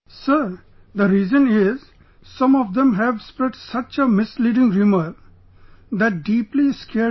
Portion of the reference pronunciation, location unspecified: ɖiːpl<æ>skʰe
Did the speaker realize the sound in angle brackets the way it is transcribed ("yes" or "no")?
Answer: no